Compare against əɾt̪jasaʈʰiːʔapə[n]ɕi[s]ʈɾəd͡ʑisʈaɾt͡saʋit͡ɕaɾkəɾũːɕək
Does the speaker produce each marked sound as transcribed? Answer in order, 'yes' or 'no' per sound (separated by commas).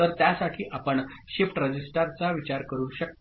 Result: no, no